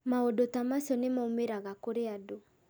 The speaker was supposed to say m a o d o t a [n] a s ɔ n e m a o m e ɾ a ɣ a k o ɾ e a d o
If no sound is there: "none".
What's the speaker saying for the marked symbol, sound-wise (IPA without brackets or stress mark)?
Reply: m